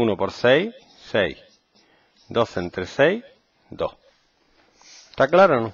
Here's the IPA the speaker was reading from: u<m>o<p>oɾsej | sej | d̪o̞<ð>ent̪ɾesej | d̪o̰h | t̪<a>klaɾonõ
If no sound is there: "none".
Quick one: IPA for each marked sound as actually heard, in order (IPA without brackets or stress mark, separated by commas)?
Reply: n, p, θ, a